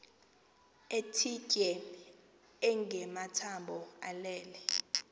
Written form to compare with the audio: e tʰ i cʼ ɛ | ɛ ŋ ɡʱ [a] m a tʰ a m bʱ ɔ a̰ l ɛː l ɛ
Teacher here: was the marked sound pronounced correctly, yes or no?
no